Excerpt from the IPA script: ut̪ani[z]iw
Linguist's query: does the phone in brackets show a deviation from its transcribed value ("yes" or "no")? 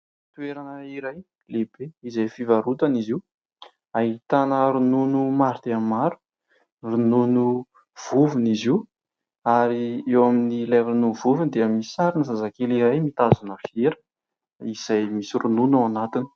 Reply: no